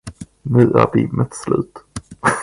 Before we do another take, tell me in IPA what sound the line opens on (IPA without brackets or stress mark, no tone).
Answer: n